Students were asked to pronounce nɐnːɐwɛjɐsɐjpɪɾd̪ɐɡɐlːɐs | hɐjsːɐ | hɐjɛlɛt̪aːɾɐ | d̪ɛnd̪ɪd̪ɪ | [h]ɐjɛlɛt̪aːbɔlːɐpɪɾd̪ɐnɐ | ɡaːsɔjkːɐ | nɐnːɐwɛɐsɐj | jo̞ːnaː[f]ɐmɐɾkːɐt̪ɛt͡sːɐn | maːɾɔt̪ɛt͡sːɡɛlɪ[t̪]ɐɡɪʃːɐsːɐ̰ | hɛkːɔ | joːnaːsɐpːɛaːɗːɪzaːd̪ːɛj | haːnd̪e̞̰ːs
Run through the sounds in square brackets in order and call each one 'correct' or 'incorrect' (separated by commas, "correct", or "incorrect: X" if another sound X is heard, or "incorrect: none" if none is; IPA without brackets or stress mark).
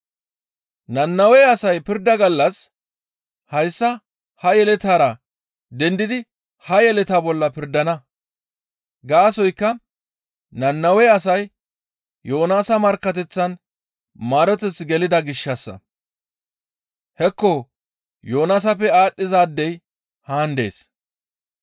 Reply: correct, incorrect: s, incorrect: d̪